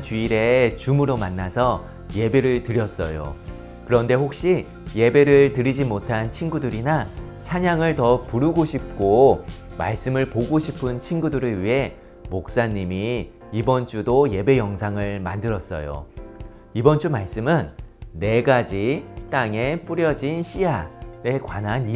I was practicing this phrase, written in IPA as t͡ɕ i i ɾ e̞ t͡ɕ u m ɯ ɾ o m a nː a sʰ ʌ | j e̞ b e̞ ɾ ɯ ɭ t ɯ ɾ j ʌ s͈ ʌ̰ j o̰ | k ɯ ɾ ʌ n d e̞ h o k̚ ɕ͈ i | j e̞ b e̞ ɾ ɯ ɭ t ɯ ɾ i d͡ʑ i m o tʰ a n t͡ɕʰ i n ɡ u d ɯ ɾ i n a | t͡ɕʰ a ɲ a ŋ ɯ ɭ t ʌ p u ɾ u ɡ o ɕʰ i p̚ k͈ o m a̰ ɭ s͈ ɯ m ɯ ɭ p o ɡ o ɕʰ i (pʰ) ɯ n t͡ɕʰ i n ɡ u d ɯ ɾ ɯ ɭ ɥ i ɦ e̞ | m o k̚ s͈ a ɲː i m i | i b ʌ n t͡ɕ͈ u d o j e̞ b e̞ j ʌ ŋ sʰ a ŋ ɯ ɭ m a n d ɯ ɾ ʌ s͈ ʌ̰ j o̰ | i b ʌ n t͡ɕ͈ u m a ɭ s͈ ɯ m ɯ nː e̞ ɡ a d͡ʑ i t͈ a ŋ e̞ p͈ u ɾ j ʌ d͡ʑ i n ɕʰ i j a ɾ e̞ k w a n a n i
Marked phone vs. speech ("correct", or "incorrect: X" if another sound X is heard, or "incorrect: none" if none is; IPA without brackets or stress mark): correct